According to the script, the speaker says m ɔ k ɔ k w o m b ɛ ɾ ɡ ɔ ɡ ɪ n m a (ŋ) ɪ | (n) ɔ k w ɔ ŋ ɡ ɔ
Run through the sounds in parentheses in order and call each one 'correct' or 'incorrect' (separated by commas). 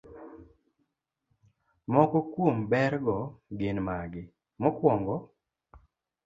incorrect, incorrect